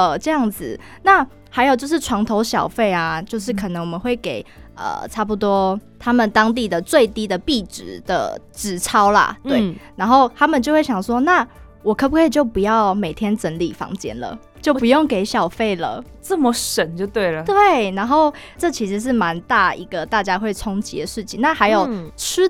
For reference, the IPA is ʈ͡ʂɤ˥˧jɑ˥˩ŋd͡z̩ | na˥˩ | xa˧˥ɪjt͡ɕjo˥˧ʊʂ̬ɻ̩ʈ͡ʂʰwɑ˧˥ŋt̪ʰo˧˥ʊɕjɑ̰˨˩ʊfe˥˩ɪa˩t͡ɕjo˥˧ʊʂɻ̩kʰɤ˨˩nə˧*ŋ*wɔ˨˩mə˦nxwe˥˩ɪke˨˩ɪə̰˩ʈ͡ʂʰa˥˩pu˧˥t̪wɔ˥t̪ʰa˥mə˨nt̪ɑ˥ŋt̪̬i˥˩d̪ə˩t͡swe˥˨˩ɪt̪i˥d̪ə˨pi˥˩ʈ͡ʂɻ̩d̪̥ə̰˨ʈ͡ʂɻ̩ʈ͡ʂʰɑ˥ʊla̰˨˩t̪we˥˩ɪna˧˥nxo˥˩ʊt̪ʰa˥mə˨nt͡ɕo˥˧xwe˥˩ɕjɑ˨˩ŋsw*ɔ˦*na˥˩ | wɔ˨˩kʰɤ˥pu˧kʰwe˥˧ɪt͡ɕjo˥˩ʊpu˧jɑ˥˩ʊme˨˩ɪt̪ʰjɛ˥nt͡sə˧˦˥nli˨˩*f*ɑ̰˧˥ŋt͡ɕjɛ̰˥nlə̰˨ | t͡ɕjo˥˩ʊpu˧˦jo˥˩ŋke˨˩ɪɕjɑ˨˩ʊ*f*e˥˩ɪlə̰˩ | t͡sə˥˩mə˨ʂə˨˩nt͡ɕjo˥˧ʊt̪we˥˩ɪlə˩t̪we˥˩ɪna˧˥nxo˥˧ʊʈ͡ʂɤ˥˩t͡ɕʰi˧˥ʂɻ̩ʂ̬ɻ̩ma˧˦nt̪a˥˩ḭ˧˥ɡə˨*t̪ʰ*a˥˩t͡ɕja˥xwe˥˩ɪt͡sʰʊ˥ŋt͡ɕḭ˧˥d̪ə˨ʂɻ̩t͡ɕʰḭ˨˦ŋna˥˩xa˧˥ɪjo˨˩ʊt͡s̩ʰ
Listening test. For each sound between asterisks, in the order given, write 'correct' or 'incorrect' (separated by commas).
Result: correct, correct, correct, correct, incorrect